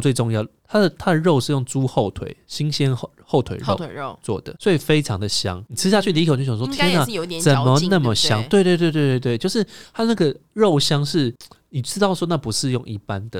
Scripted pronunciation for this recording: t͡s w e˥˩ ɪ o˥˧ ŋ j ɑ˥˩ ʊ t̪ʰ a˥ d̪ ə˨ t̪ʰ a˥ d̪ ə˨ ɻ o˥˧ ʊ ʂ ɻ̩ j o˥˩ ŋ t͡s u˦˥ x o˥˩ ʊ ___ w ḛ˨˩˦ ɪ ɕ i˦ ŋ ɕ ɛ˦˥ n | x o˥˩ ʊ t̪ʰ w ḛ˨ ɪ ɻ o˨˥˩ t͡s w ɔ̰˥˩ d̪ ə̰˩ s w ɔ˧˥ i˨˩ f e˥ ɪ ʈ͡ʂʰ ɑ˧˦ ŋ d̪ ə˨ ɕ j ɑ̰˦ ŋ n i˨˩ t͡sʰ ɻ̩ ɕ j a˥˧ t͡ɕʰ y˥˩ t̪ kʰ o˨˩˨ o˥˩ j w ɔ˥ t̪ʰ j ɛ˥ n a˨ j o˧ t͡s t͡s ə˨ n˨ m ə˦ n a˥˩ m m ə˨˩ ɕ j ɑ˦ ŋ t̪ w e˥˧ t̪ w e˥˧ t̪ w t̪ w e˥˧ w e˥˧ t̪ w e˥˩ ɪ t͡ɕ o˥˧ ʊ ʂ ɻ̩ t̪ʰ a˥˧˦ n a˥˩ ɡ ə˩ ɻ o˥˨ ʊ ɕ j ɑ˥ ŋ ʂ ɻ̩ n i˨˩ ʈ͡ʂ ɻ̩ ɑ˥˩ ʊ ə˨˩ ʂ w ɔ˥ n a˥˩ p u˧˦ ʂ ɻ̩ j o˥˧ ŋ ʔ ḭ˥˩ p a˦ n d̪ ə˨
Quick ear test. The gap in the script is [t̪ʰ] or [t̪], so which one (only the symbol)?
t̪ʰ